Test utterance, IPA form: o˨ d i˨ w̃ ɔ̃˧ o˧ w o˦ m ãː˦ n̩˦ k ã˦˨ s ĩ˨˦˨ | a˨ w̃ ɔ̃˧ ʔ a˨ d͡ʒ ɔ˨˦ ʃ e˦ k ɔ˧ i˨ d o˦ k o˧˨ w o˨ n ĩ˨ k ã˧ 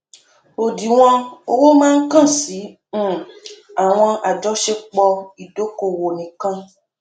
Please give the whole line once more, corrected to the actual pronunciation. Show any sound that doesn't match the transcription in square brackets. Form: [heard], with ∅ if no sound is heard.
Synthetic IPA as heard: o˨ d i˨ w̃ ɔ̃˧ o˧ w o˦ m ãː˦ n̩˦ k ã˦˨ s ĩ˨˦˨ | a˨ w̃ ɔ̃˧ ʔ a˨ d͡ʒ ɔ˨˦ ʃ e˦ [k͡p] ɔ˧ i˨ d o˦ k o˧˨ w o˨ n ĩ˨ k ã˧